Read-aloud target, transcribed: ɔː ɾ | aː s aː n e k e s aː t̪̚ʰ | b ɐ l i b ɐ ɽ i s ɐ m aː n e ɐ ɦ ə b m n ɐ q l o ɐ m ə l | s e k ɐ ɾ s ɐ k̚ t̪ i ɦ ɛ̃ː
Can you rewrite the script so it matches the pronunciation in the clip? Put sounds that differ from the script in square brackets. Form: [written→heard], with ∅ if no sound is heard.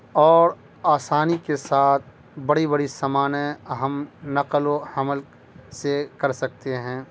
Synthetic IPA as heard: ɔː ɾ | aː s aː n [e→i] k e s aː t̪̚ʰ | b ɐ [l→ɽ] i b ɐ ɽ i s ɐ m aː n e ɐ ɦ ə [b→∅] m n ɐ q l o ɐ m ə l | s e k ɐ ɾ s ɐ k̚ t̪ [i→e] ɦ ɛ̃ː

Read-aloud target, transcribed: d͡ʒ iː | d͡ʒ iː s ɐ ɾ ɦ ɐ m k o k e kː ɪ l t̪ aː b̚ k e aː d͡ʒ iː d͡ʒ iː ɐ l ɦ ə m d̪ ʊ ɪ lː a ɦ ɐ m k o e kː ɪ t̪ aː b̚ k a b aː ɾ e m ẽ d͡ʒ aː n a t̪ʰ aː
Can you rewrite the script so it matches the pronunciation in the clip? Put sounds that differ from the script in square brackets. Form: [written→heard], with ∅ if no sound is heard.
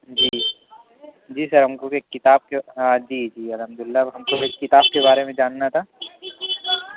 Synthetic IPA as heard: d͡ʒ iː | d͡ʒ iː s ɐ ɾ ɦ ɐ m k o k e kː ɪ [l→∅] t̪ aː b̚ k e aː d͡ʒ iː d͡ʒ iː ɐ l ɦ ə m d̪ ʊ ɪ lː a ɦ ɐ m k o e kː ɪ t̪ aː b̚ k [a→e] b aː ɾ e m ẽ d͡ʒ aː [n→nː] a t̪ʰ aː

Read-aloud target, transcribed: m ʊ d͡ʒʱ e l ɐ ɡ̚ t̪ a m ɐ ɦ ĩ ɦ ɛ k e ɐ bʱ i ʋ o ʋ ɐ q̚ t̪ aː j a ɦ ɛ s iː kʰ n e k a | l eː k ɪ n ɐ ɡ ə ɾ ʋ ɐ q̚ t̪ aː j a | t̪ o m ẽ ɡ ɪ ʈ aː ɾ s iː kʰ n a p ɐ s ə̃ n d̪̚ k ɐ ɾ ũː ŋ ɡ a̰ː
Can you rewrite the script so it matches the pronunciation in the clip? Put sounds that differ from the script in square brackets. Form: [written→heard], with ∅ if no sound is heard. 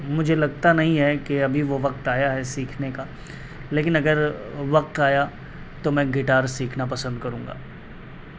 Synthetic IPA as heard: m ʊ d͡ʒʱ e l ɐ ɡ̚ t̪ a [m→n] ɐ ɦ ĩ ɦ ɛ k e ɐ bʱ i ʋ o ʋ ɐ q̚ t̪ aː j a ɦ ɛ s iː kʰ n e k a | l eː k ɪ n ɐ ɡ ə ɾ ʋ ɐ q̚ t̪ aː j a | t̪ o m [ẽ→ɛ̃] ɡ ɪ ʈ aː ɾ s iː kʰ n a p ɐ s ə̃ n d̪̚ k ɐ ɾ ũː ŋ ɡ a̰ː

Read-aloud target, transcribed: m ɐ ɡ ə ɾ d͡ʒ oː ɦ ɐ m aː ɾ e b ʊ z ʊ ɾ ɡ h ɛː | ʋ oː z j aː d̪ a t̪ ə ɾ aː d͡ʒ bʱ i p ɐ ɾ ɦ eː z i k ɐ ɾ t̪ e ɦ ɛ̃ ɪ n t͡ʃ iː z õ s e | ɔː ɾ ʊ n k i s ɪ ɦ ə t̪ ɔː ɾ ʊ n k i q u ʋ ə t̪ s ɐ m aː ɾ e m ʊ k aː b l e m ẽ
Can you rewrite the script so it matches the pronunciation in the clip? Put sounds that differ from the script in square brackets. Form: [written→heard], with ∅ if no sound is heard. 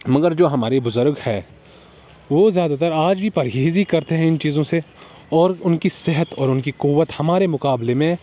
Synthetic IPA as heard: m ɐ ɡ ə ɾ d͡ʒ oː ɦ ɐ m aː ɾ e b ʊ z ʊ ɾ ɡ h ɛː | ʋ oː z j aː d̪ a t̪ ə ɾ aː d͡ʒ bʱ i p ɐ ɾ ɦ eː z i k ɐ ɾ t̪ e ɦ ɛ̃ ɪ n t͡ʃ iː z õ s e | ɔː ɾ ʊ n k i s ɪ ɦ ə t̪ ɔː ɾ ʊ n k i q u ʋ ə t̪ [s→h] ɐ m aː ɾ e m ʊ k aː b l e m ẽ

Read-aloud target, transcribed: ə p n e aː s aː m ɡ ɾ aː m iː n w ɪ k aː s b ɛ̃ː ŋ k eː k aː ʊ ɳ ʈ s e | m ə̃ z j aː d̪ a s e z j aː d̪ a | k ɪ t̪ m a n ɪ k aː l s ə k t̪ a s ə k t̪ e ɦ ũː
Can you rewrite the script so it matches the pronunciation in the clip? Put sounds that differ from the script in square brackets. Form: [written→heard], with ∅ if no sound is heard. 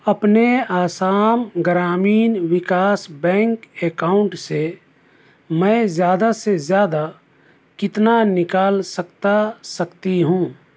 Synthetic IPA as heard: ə p n e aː s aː m ɡ ɾ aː m iː n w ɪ k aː s b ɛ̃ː ŋ k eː k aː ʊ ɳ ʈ s e | m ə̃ z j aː d̪ a s e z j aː d̪ a | k ɪ t̪ [m→n] a n ɪ k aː l s ə k t̪ a s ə k t̪ [e→i] ɦ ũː

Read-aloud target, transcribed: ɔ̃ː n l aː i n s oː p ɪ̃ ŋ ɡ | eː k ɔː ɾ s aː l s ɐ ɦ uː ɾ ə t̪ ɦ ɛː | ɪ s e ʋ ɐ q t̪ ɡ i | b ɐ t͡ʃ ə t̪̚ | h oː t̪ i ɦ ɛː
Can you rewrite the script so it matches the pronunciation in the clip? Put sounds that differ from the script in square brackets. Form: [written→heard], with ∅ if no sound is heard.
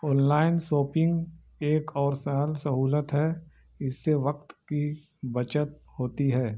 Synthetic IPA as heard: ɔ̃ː n l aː [i→ɪ] n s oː p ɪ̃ ŋ ɡ | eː k ɔː ɾ s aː l s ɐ ɦ uː [ɾ→l] ə t̪ ɦ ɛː | ɪ [s→sː] e ʋ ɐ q t̪ [ɡ→k] i | b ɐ t͡ʃ ə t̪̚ | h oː t̪ i ɦ ɛː

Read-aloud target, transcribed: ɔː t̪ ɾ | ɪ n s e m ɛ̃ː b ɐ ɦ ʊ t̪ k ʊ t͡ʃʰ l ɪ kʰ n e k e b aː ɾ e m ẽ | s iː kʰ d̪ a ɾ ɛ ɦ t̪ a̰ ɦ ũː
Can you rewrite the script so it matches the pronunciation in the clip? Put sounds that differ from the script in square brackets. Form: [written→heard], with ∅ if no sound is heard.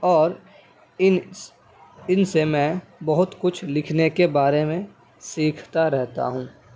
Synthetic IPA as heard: ɔː [t̪→∅] ɾ | ɪ n s e m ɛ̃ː b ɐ ɦ ʊ t̪ k ʊ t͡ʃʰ l ɪ kʰ n e k e b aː ɾ e m ẽ | s iː kʰ [d̪→t̪] a ɾ ɛ ɦ t̪ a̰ ɦ ũː

